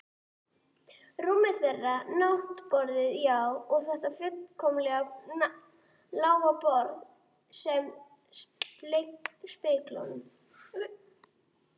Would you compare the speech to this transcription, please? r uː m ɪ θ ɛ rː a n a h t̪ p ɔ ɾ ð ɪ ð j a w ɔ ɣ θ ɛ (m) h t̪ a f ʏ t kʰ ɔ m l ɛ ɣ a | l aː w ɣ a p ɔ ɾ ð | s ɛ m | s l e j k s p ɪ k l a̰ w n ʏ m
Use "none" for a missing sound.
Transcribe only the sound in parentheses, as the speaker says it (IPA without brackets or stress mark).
none